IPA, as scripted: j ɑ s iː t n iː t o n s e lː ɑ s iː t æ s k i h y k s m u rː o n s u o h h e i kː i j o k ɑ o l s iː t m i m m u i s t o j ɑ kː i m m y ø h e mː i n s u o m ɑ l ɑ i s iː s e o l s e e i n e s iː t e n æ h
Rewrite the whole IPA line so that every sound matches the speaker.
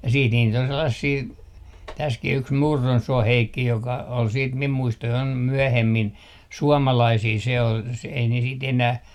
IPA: j ɑ s iː t n iː t o n s e lː ɑ s iː t æ s k i h y k s m u rː o n s u o h h e i kː i j o k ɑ o l s iː t m i m m u i s t o j ɑ i m m y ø h e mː i n s u ɔ m ɑ l ɑ i s iː s e o l s e e i n e s iː t e n æ h